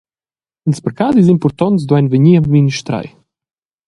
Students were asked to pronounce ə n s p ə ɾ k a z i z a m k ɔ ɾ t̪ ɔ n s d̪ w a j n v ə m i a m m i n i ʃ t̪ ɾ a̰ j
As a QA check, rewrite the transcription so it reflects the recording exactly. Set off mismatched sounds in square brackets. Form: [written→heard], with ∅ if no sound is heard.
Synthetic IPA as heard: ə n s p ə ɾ k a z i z [a→i] m [k→p] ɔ ɾ t̪ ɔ n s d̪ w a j n v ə [m→ɲ] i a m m i n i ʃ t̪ ɾ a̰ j